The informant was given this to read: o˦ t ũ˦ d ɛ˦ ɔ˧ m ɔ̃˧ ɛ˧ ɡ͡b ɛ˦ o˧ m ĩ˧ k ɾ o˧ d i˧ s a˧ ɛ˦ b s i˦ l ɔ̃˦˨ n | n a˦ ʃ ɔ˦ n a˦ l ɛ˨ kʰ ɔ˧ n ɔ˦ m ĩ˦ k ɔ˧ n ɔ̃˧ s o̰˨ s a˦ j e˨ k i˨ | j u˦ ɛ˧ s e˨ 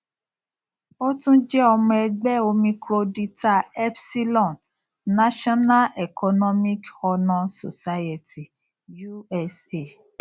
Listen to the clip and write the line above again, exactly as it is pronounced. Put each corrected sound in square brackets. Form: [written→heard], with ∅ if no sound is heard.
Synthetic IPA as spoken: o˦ t ũ˦ [d→d͡ʒ] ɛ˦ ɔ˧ m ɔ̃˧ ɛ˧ ɡ͡b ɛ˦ o˧ m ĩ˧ k ɾ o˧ d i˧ [s→t] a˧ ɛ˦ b s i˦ l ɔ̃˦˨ n | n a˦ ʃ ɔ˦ n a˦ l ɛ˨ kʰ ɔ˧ n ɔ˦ m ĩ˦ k ɔ˧ n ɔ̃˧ s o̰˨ s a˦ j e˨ [k→t] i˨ | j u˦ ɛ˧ s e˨